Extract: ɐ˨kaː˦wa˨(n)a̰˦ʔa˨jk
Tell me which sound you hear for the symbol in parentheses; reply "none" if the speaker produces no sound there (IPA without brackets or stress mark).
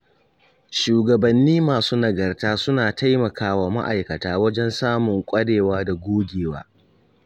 m